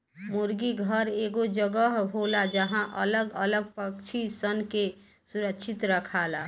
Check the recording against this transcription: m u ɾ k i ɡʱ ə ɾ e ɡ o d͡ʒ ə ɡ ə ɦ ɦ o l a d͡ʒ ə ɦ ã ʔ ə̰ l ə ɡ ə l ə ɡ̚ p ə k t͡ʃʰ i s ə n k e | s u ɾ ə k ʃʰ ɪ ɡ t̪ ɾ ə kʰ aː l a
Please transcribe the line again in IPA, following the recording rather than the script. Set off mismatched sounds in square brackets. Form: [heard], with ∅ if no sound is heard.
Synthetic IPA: m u ɾ [ɡ] i ɡʱ ə ɾ e ɡ o d͡ʒ ə ɡ ə ɦ ɦ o l a d͡ʒ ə ɦ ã ʔ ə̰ l ə ɡ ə l ə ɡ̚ p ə k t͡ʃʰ i s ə n k e | s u ɾ ə k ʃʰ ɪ [∅] t̪ ɾ ə kʰ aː l a